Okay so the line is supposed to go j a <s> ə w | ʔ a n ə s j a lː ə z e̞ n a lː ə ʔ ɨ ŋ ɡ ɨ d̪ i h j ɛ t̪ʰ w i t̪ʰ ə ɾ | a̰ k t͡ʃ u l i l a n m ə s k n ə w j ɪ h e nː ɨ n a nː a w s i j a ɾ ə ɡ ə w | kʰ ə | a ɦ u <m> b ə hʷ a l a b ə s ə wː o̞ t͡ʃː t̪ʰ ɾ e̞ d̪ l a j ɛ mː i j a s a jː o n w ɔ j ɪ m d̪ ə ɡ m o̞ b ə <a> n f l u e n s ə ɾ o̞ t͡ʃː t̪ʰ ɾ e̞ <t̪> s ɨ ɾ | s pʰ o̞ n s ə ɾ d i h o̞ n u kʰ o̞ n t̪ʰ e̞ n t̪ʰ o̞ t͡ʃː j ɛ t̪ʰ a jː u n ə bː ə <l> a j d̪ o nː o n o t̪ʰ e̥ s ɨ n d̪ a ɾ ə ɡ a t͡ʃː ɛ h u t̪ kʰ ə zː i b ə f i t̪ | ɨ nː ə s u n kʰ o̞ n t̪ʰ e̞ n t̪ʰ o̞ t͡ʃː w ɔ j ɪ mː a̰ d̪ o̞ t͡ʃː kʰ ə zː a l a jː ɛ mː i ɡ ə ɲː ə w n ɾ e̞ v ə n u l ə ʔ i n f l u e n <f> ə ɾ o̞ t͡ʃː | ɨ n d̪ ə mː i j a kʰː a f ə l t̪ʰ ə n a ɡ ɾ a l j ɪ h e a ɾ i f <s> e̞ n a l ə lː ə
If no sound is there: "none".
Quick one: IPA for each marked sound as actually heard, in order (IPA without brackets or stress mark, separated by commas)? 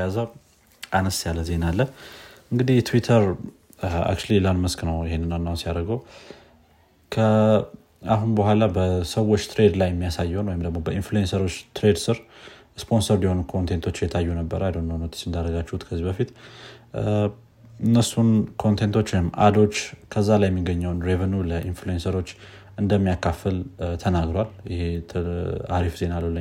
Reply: z, n, i, d̪, ɾ, s, z